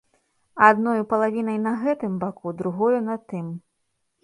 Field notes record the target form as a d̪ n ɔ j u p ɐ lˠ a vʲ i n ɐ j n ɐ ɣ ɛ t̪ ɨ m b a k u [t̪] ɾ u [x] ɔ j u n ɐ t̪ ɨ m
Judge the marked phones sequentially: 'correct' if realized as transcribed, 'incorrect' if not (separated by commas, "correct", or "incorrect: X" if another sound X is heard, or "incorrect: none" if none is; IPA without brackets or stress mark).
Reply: incorrect: d̪, incorrect: ɣ